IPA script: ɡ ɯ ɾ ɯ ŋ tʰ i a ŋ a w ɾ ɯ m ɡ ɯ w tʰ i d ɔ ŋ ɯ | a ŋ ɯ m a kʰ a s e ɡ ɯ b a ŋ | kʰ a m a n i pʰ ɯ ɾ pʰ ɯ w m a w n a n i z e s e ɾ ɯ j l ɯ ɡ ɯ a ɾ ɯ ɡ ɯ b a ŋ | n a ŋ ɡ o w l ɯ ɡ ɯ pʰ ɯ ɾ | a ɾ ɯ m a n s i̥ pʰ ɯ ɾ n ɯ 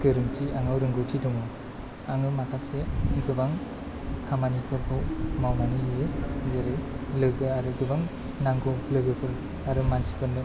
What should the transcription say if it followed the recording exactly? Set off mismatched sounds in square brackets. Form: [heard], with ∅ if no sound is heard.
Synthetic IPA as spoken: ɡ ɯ ɾ ɯ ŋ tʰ i a ŋ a w ɾ ɯ [ŋ] ɡ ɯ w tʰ i d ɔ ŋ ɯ | a ŋ ɯ m a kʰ a s e ɡ ɯ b a ŋ | kʰ a m a n i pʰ ɯ ɾ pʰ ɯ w m a w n a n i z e [z] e ɾ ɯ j l ɯ ɡ ɯ a ɾ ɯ ɡ ɯ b a ŋ | n a ŋ ɡ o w l ɯ ɡ ɯ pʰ ɯ ɾ | a ɾ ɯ m a n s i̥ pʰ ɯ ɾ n ɯ

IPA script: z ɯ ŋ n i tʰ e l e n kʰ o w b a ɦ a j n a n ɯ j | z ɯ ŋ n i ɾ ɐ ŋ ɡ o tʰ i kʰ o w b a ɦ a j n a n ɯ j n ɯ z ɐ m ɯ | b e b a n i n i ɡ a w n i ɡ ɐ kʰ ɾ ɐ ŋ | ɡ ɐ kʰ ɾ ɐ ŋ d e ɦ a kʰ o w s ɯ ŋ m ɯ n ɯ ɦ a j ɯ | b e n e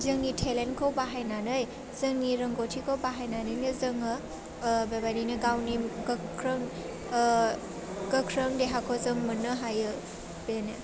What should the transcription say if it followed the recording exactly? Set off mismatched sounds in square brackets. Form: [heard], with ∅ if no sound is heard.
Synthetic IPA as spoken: z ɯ ŋ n i tʰ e l e n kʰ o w b a ɦ a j n a n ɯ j | z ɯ ŋ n i ɾ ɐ ŋ ɡ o tʰ i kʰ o w b a ɦ a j n a n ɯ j n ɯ z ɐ [ŋ] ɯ | b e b a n i n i ɡ a w n i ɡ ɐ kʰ ɾ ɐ ŋ | ɡ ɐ kʰ ɾ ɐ ŋ d e ɦ a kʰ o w [z] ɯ ŋ m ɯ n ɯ ɦ a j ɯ | b e n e

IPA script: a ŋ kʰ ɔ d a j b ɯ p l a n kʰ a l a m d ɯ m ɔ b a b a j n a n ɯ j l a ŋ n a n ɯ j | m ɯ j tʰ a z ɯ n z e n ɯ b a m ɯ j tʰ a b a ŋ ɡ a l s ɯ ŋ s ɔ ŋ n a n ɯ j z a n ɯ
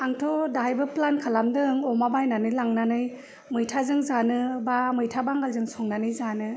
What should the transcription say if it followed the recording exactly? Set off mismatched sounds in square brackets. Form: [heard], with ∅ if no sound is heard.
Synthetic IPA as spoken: a ŋ [tʰ] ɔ d a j b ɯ p l a n kʰ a l a m d ɯ [ŋ] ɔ [m] a b a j n a n ɯ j l a ŋ n a n ɯ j | m ɯ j tʰ a z ɯ [ŋ] z [a] n ɯ b a m ɯ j tʰ a b a ŋ ɡ a l [z] ɯ ŋ s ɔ ŋ n a n ɯ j z a n ɯ

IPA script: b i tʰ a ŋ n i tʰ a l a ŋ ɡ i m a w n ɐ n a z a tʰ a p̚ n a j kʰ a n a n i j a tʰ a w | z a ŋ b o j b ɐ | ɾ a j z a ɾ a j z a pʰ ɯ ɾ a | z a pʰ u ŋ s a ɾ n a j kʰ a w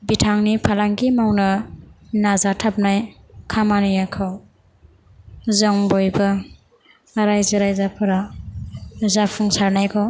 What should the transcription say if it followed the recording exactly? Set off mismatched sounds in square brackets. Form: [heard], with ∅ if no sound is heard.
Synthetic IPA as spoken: b i tʰ a ŋ n i [pʰ] a l a ŋ ɡ i m a w n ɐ n a z a tʰ a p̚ n a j kʰ a [m] a n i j a [kʰ] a w | z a ŋ b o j b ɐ | ɾ a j z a ɾ a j z a pʰ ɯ ɾ a | z a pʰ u ŋ s a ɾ n a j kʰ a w

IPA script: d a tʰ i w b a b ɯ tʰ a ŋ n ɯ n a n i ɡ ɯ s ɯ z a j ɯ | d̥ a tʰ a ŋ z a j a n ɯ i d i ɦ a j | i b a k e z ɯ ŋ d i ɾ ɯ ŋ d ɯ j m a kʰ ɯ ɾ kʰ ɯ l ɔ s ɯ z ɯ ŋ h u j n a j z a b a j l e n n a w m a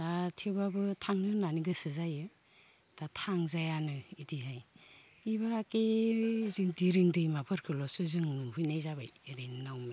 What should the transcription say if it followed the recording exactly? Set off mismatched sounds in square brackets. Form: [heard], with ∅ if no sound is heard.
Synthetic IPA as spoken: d a tʰ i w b a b ɯ tʰ a ŋ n ɯ n a n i ɡ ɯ s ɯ z a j ɯ | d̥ a tʰ a ŋ z a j a n ɯ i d i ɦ a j | i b a k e z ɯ ŋ d i ɾ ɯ ŋ d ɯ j m a [pʰ] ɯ ɾ kʰ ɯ l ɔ s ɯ z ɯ ŋ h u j n a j z a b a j [ɾ] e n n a w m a

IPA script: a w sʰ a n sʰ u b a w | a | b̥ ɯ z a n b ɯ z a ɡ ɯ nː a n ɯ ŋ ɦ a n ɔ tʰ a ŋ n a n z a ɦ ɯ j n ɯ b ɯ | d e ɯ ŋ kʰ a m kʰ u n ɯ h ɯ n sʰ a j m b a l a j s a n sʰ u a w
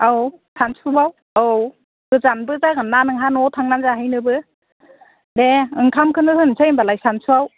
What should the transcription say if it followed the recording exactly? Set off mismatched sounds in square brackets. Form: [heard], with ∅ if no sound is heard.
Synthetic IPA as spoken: a w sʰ a n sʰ u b a w | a | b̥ ɯ z a n b ɯ z a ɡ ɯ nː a n ɯ ŋ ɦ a n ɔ tʰ a ŋ n a n z a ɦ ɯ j n ɯ b ɯ | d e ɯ ŋ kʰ a m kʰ [ɯ] n ɯ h ɯ n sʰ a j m b a l a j s a n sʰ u a w

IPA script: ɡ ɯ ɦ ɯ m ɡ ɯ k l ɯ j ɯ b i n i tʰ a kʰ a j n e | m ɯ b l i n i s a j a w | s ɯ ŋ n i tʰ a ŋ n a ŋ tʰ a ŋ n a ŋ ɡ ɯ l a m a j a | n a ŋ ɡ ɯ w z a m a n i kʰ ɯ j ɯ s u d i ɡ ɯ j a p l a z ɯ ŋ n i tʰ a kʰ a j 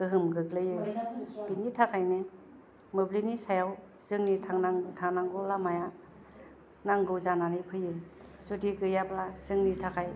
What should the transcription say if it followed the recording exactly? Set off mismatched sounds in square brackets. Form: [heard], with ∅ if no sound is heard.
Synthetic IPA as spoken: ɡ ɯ ɦ ɯ m ɡ ɯ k l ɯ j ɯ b i n i tʰ a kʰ a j n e | m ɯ b l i n i s a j a w | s ɯ ŋ n i tʰ a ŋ n a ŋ tʰ a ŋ n a ŋ ɡ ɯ l a m a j a | n a ŋ ɡ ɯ w z a [n] a n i [pʰ] ɯ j ɯ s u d i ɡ ɯ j a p l a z ɯ ŋ n i tʰ a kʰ a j

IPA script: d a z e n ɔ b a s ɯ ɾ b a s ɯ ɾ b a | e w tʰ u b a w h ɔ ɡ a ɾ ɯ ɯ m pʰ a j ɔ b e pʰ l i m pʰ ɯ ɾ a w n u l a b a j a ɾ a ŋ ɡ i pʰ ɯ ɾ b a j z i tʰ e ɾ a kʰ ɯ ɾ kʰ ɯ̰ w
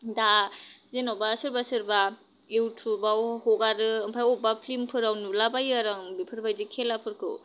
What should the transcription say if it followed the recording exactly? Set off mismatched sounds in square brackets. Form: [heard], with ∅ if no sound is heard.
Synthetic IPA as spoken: d a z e n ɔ b a s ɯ ɾ b a s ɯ ɾ b a | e w tʰ u b a w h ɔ ɡ a ɾ ɯ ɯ m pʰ a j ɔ b [a] pʰ l i m pʰ ɯ ɾ a w n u l a b a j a ɾ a ŋ [b] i pʰ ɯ ɾ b a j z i [kʰ] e [l] a [pʰ] ɯ ɾ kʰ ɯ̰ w

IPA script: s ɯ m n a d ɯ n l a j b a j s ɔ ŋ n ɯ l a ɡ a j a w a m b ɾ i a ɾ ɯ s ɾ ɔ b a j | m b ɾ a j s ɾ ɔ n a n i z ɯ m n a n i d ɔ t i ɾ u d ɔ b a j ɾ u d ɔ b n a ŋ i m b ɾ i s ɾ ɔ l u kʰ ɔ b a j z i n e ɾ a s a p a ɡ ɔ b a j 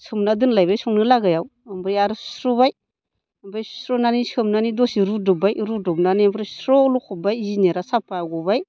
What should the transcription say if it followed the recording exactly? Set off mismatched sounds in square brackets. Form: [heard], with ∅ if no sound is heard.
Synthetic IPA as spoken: s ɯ m n a d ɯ n l a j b a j s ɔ ŋ n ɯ l a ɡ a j a w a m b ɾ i a ɾ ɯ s ɾ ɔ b a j | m b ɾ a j s ɾ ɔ n a n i [s] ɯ m n a n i d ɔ [s] i ɾ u d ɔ b a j ɾ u d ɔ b n a [n] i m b ɾ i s ɾ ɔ l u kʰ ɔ b a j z i n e ɾ a s a p a ɡ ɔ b a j

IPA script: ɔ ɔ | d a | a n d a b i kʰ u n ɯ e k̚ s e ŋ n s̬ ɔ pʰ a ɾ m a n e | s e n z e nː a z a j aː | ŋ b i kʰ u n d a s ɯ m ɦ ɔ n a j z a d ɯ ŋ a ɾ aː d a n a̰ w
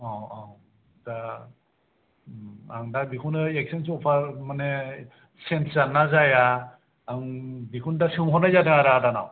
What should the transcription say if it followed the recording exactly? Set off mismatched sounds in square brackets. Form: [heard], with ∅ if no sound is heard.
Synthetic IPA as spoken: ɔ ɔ | d a | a [ŋ] d a b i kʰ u n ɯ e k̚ s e [∅] n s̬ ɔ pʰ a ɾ m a n e | s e n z [a] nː a z a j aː | ŋ b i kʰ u n d a s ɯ m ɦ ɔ n a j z a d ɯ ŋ a ɾ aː d a n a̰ w

